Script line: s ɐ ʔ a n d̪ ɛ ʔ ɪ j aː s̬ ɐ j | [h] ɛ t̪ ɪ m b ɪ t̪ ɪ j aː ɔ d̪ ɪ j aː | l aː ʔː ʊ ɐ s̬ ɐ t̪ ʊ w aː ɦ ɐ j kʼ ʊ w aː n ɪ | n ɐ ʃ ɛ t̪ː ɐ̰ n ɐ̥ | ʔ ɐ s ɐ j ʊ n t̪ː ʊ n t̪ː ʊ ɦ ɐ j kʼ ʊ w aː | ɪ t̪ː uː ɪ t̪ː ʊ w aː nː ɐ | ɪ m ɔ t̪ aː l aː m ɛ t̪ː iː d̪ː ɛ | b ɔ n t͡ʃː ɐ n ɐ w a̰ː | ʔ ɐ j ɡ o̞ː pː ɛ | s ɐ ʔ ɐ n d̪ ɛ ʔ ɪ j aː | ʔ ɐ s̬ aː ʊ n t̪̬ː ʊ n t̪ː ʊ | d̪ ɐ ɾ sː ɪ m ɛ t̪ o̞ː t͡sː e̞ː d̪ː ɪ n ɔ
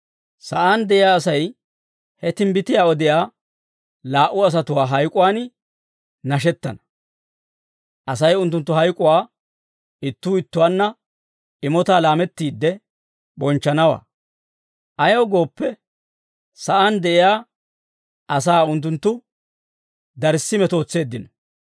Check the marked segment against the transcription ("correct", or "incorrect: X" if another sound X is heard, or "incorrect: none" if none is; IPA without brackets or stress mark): correct